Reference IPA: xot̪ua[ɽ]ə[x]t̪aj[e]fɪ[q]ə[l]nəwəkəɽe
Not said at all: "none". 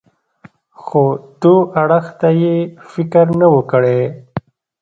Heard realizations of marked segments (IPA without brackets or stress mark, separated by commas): ɽ, x, e, k, ɾ